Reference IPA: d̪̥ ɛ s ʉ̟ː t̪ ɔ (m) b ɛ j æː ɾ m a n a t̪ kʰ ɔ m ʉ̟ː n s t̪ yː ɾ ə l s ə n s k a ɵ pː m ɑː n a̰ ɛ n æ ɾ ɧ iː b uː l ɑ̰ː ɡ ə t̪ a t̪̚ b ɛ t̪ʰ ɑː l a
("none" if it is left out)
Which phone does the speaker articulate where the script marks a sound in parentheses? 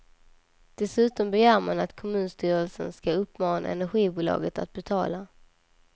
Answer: m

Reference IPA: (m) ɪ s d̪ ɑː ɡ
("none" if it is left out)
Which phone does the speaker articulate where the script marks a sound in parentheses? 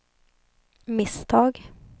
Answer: m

